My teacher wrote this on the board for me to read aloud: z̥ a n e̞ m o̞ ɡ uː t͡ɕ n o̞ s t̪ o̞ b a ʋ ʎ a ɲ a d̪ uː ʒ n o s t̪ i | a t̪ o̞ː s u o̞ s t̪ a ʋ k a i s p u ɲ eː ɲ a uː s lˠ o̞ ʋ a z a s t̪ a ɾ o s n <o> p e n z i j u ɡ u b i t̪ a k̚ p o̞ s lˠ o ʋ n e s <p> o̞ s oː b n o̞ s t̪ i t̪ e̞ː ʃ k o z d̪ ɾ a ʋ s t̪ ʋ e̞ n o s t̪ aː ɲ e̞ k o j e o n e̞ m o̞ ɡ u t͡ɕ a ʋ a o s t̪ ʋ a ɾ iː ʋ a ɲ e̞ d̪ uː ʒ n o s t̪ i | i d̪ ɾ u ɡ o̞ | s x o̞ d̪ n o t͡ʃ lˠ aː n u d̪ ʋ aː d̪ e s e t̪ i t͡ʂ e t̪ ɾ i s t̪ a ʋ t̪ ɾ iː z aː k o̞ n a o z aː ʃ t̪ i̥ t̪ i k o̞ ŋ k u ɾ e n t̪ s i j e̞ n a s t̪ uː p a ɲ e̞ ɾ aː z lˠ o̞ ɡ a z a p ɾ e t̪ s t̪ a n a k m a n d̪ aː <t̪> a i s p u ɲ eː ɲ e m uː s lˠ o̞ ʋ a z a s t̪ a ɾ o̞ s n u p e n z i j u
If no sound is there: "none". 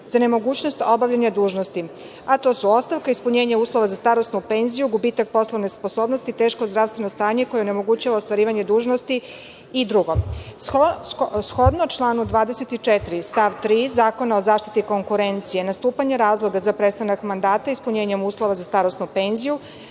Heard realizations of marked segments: u, p, t̪

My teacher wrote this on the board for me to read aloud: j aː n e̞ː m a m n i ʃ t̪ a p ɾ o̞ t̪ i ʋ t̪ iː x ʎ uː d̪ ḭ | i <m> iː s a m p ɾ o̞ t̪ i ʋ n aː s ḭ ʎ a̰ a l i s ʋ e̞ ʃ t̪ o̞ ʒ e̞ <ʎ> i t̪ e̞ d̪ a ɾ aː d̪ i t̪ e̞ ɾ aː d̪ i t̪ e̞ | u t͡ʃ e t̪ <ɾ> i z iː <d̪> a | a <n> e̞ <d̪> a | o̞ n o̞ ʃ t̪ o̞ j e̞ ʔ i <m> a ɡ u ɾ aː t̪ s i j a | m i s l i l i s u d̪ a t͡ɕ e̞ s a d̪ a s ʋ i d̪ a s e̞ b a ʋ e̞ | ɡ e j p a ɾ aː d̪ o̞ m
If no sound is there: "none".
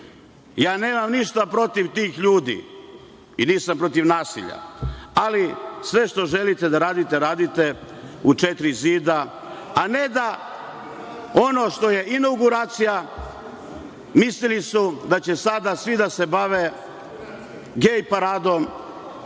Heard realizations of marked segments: n, l, ɾ, d̪, n, d̪, n

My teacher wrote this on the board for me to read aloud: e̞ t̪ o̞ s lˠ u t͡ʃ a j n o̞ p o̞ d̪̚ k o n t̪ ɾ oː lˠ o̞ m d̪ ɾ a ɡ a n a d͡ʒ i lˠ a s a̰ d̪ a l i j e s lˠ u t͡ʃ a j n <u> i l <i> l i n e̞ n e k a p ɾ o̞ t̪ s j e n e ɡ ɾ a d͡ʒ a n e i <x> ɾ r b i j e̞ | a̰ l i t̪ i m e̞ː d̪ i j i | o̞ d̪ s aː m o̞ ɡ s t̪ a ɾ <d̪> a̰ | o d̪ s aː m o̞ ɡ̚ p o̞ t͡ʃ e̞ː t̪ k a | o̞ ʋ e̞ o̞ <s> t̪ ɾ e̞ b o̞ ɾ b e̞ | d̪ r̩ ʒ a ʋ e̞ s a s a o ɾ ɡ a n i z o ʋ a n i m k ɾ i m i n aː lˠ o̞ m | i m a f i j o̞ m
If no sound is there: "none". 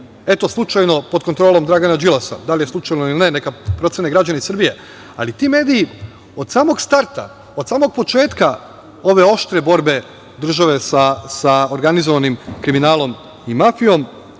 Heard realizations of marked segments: o, i, s, t̪, ʃ

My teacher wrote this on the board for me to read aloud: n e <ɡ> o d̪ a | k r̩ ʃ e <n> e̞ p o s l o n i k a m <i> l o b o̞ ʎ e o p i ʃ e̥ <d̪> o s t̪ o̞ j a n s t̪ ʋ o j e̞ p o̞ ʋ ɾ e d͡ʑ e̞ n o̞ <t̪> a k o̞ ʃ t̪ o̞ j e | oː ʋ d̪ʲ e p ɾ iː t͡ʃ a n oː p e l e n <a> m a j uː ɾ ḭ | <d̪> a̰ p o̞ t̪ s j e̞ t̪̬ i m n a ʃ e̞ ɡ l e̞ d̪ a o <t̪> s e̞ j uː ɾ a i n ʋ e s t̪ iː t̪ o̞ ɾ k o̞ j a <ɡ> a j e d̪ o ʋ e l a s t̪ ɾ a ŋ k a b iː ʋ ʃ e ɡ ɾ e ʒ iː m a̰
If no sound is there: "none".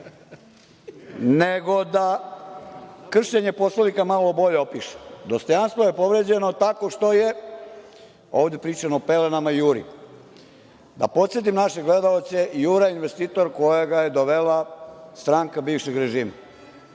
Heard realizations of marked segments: ɡ, ɲ, a, d̪, t̪, a, d̪, t̪, ɡ

